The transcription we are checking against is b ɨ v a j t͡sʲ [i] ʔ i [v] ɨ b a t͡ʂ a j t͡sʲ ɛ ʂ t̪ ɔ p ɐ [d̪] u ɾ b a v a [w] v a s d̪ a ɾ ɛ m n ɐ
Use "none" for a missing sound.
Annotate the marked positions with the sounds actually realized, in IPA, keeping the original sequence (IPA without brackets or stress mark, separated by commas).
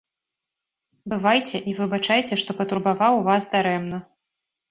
ɛ, v, t̪, w